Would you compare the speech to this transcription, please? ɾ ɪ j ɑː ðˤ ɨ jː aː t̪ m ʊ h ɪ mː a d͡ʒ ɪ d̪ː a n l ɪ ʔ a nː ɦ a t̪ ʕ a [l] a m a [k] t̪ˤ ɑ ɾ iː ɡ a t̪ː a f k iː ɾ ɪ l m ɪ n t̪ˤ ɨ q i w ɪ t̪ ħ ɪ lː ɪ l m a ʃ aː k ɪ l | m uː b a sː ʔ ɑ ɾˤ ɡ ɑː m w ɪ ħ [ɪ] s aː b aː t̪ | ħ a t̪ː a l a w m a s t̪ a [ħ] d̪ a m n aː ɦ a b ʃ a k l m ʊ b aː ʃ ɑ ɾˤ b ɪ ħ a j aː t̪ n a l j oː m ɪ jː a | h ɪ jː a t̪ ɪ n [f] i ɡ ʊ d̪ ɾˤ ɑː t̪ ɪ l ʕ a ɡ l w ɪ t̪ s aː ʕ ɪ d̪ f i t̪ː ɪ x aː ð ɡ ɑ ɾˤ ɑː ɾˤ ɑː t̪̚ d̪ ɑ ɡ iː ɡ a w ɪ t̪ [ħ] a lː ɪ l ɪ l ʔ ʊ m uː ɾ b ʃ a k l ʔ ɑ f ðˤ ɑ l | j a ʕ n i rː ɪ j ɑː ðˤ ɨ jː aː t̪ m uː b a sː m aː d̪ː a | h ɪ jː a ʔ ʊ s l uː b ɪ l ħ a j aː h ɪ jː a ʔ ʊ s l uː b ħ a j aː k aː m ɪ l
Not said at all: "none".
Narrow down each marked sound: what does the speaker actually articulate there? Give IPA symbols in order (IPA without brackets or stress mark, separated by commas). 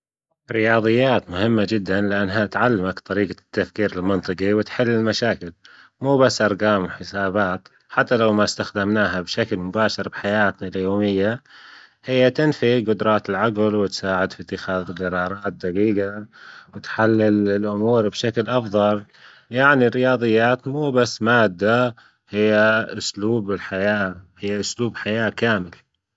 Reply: lː, k, ɪ, x, f, ħ